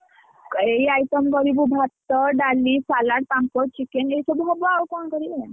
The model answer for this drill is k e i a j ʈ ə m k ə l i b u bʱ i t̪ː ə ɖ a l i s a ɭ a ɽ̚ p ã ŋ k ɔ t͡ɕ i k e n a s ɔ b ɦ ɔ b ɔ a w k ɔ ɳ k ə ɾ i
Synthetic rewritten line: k e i a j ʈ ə m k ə ɾ i b u bʱ a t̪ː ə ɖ a l i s a l a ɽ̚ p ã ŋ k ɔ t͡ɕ i k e n e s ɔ b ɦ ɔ b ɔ a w k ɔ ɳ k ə ɾ i